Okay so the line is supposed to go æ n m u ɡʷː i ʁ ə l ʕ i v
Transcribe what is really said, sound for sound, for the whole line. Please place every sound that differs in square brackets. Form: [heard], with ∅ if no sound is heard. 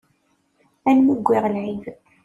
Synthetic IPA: æ n m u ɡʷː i ʁ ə l ʕ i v